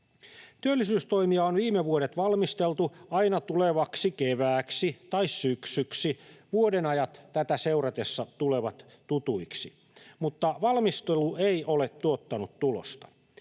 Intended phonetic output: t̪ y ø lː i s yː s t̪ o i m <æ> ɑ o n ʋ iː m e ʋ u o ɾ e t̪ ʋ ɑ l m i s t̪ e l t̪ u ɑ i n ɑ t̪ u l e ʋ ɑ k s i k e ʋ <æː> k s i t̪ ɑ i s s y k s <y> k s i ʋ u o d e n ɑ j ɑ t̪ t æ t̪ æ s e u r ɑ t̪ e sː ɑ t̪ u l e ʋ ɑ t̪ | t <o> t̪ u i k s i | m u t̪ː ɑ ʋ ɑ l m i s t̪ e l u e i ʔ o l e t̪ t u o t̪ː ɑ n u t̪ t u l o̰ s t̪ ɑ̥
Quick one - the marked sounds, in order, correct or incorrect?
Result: incorrect: i, correct, correct, incorrect: u

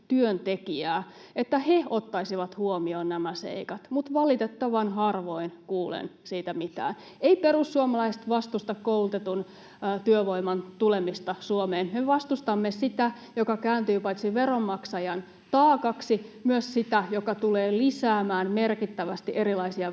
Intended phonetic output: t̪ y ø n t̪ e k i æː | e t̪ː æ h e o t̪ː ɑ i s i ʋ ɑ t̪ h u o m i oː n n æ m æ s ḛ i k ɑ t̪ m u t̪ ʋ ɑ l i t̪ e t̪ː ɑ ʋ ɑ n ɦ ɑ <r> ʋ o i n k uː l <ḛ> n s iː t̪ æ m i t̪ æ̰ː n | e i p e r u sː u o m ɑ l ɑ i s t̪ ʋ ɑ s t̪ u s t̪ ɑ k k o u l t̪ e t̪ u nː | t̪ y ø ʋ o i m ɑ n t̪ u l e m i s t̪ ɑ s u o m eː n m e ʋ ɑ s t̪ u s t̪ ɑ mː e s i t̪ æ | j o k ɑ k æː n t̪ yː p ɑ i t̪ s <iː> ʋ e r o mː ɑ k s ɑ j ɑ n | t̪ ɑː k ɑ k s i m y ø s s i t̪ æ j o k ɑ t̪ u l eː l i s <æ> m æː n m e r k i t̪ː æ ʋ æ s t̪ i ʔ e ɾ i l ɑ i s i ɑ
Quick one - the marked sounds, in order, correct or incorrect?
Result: correct, correct, incorrect: i, incorrect: æː

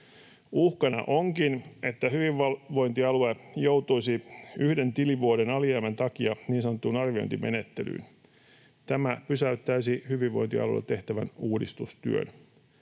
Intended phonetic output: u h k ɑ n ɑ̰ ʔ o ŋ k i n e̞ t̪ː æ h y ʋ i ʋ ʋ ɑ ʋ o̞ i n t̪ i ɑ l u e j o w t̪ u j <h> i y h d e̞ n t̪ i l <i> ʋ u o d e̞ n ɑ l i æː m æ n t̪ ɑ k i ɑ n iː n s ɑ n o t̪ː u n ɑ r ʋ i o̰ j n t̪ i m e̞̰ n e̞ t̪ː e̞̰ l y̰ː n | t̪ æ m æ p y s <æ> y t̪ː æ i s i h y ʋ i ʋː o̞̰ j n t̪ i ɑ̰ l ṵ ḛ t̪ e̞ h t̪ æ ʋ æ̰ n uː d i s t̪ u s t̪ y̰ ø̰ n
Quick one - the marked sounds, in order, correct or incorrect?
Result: incorrect: s, correct, correct

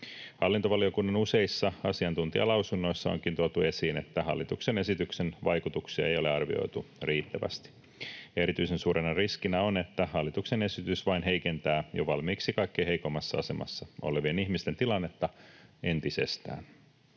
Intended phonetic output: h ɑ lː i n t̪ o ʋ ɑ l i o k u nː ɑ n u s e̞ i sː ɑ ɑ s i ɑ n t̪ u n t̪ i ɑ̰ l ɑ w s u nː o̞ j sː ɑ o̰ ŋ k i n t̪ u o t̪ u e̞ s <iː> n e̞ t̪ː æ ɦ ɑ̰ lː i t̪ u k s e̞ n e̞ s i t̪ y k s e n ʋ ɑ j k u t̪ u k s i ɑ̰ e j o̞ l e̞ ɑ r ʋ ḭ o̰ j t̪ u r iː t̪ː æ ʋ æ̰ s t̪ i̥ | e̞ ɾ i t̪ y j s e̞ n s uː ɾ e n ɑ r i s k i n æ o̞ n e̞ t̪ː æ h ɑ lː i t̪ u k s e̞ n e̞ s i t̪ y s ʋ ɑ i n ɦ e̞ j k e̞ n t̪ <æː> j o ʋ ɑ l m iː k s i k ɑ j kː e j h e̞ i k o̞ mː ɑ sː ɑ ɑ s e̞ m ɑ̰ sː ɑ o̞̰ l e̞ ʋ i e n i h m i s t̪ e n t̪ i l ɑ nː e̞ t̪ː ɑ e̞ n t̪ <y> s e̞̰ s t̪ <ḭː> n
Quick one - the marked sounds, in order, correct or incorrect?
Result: correct, correct, incorrect: i, incorrect: æ̰ː

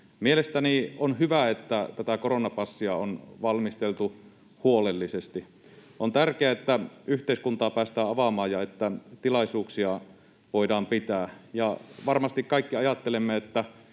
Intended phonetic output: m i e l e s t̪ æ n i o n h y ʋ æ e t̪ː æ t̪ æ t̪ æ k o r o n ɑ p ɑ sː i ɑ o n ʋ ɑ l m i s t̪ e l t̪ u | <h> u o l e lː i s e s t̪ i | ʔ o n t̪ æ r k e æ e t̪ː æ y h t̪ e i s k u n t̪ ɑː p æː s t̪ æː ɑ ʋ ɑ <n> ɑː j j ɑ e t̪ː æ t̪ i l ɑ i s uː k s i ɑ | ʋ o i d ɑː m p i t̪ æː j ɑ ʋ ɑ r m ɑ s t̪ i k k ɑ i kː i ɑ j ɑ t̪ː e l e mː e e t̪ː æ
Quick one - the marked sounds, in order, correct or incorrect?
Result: correct, incorrect: m

